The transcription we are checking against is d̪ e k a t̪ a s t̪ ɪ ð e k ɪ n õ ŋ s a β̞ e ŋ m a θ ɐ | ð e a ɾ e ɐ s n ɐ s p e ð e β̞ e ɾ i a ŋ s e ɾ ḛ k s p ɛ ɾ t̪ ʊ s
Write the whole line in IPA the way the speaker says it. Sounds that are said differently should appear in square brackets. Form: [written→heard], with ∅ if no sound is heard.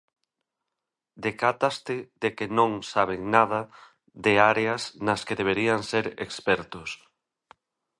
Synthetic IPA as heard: d̪ e k a t̪ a s t̪ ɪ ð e k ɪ n õ ŋ s a β̞ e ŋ [m→n] a [θ→ð] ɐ | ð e a ɾ e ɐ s n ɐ s [p→k] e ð e β̞ e ɾ i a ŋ s e ɾ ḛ k s p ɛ ɾ t̪ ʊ s